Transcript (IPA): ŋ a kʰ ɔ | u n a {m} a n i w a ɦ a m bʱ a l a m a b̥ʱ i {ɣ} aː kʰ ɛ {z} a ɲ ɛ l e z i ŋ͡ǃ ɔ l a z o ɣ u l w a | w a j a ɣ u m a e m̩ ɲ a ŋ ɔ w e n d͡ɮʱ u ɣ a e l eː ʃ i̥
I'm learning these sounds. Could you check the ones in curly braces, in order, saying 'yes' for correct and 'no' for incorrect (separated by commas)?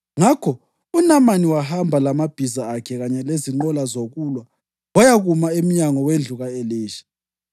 yes, no, no